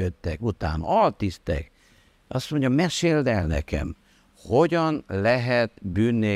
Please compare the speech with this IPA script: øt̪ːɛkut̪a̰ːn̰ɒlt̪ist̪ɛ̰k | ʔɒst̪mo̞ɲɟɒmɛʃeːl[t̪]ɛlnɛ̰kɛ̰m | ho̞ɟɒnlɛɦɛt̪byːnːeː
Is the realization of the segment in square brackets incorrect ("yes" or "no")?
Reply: yes